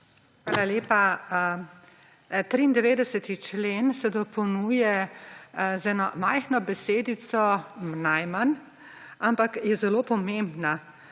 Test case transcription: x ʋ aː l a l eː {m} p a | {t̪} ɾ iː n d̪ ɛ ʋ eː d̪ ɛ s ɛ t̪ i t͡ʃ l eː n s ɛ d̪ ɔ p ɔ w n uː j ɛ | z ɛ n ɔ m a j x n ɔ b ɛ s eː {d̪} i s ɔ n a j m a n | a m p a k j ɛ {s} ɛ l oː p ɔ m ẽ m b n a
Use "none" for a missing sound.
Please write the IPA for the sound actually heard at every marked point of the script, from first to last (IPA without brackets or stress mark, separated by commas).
none, t̪, d̪, z